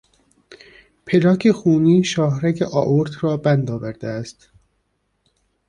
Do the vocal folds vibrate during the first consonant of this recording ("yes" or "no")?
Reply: no